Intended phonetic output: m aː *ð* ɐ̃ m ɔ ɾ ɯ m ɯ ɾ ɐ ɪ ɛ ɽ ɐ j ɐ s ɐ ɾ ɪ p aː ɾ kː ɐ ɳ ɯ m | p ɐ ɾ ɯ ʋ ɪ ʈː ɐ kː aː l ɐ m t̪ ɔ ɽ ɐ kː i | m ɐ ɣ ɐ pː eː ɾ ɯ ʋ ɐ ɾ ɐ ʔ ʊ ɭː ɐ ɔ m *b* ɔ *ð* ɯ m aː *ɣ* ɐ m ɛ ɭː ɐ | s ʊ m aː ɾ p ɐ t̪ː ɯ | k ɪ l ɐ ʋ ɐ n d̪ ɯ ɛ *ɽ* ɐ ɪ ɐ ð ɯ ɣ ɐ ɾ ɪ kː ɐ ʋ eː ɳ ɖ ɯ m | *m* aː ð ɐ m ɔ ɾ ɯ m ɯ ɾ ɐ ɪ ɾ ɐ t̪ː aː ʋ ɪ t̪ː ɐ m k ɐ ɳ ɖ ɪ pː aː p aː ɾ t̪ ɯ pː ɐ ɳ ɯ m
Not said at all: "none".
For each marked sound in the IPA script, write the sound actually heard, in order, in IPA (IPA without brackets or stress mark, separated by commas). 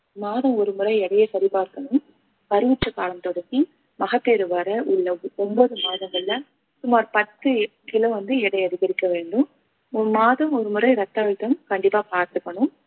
ð, b, ð, ð, ɽ, m